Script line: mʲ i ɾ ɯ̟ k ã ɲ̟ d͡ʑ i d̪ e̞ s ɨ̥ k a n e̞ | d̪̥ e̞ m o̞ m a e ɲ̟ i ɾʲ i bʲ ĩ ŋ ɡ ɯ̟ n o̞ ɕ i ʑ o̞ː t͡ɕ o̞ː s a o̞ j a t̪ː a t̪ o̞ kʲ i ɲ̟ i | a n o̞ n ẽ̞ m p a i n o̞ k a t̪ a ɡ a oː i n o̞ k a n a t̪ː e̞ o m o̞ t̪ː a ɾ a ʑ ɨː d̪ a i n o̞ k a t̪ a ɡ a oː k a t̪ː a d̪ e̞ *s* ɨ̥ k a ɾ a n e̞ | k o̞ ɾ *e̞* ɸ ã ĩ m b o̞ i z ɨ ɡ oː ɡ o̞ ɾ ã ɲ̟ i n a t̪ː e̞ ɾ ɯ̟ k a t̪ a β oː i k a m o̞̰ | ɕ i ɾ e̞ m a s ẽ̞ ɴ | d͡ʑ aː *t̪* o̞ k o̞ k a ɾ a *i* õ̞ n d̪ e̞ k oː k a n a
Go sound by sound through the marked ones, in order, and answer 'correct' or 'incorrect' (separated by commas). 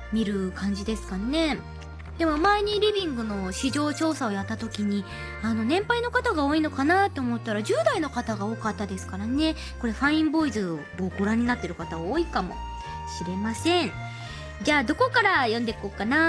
correct, correct, incorrect, incorrect